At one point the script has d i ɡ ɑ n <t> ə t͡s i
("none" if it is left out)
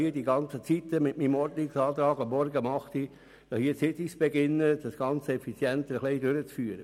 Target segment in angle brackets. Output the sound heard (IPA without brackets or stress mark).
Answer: t͡s